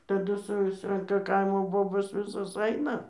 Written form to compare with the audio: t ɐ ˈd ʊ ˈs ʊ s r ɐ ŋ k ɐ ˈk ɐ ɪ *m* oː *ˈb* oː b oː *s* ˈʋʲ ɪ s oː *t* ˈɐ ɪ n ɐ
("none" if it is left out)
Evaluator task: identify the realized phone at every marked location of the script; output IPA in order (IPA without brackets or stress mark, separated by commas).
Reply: m, b, s, s